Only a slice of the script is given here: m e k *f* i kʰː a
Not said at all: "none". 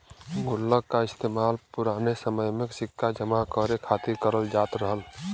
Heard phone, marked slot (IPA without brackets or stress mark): s